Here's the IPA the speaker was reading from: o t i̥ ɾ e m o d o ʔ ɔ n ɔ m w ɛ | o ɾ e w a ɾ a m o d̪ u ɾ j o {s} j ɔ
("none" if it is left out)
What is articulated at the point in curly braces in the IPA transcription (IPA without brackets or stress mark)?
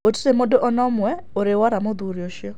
ʃ